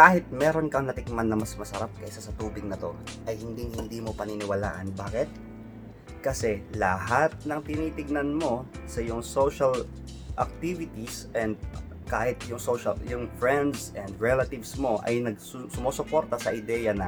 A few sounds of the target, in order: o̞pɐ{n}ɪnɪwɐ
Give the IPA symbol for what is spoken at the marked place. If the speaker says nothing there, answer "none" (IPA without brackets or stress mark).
n